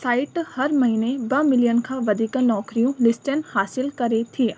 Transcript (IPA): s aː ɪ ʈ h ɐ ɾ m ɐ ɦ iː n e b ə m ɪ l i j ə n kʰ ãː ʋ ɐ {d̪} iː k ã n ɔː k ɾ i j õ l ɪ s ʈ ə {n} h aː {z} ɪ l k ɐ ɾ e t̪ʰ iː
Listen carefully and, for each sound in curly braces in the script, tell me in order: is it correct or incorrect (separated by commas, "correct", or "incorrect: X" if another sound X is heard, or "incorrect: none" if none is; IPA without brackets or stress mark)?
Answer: correct, correct, incorrect: s